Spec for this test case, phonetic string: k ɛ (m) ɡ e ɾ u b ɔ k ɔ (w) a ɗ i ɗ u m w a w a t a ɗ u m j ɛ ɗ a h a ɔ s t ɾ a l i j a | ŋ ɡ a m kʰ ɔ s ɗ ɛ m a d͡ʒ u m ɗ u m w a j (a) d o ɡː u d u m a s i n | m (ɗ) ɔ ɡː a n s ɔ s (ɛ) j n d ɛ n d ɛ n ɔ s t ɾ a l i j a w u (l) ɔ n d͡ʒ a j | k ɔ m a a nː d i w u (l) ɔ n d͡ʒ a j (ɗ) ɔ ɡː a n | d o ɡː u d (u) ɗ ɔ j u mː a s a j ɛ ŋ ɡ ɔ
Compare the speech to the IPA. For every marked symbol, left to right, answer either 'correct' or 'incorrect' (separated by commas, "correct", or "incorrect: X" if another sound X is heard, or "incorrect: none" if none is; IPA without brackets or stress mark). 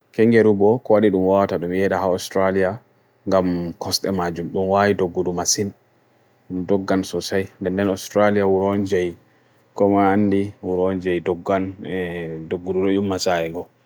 incorrect: ŋ, correct, incorrect: i, incorrect: d, incorrect: a, incorrect: ɾ, incorrect: ɾ, incorrect: d, correct